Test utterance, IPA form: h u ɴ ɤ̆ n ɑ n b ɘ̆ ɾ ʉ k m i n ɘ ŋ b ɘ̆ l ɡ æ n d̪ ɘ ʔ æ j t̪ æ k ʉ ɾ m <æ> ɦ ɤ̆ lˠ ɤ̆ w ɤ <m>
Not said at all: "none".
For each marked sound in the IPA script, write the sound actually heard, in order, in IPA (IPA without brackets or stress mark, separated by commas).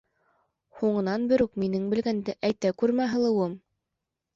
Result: æ, m